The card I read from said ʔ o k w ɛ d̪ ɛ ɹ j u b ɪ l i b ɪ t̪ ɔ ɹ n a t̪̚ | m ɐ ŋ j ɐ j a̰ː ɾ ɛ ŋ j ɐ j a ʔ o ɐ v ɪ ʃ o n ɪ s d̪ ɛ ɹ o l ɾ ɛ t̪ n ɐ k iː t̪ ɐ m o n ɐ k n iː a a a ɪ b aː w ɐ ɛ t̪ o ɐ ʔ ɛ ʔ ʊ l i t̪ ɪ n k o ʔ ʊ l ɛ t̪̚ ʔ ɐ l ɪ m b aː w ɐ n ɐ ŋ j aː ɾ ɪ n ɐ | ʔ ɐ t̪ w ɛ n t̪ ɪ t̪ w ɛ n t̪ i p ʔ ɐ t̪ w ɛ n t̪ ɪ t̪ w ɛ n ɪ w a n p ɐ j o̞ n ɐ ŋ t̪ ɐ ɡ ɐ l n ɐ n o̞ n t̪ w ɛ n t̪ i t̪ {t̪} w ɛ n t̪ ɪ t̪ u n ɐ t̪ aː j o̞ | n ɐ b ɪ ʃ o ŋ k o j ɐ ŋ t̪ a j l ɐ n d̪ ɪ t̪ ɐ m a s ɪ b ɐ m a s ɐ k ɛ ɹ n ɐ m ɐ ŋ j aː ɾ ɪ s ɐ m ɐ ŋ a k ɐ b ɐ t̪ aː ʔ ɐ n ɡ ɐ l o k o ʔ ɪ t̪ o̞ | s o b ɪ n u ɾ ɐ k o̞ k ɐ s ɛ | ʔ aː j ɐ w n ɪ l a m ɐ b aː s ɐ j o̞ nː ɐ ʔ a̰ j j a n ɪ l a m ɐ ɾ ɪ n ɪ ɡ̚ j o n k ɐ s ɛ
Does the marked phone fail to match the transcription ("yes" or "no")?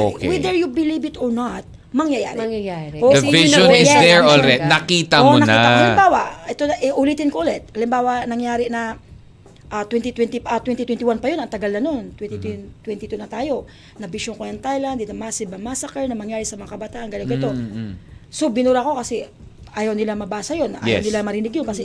no